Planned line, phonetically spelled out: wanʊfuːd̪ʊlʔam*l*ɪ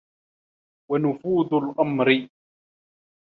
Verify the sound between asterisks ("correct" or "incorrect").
incorrect